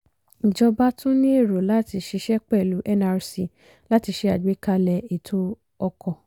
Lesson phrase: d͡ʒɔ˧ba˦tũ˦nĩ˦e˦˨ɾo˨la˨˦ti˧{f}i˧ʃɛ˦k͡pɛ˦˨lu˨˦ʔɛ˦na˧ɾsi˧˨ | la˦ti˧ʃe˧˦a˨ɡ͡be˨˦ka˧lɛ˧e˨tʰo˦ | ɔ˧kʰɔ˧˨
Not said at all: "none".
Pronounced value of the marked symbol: ʃ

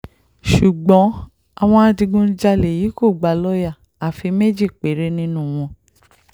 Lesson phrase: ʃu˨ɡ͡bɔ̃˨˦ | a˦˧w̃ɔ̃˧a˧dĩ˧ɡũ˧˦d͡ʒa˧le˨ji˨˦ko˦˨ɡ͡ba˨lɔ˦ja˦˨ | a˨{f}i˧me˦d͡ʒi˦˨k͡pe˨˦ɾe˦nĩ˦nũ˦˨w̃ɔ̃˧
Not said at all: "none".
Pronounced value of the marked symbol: f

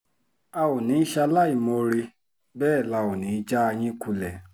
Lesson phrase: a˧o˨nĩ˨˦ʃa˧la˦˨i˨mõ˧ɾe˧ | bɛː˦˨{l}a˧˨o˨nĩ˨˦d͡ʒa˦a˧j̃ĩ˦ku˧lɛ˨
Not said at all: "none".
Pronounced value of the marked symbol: l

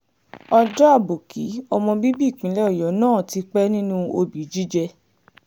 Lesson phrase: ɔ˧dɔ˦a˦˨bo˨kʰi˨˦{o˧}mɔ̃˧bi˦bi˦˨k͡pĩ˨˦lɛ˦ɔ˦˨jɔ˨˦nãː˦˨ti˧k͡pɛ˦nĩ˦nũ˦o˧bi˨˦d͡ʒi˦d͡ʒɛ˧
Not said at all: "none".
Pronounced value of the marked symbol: ɔ˧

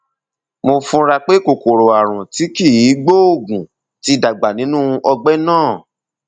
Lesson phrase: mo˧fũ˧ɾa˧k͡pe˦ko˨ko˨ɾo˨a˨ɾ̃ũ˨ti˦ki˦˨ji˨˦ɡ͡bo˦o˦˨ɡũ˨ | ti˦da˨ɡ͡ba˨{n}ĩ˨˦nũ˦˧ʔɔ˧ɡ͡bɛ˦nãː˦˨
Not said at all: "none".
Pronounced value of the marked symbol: n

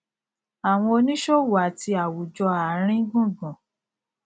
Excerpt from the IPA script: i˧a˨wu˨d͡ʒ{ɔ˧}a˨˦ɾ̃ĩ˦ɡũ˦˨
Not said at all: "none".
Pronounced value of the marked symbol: ɔ˧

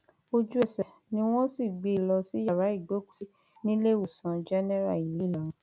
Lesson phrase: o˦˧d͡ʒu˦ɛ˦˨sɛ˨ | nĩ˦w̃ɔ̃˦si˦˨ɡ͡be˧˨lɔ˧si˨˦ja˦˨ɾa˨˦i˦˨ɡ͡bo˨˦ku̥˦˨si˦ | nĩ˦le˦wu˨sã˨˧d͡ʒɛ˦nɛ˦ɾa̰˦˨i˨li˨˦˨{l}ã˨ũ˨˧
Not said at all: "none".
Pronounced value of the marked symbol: l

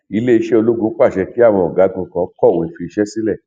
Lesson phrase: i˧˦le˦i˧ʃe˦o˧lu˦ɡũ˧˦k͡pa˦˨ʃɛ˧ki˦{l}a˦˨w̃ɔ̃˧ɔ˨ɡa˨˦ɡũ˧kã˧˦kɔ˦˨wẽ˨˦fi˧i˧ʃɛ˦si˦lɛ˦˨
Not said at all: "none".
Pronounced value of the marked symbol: none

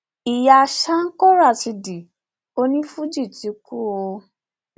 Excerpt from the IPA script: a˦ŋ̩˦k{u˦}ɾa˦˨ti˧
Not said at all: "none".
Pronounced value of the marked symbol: ɔ˦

